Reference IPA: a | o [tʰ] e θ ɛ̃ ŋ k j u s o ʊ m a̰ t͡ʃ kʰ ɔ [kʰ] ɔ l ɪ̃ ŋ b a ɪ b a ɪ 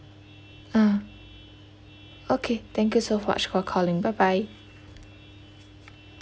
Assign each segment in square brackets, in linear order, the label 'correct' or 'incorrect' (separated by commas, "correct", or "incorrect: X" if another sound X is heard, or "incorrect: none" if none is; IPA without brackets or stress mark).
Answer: incorrect: kʰ, correct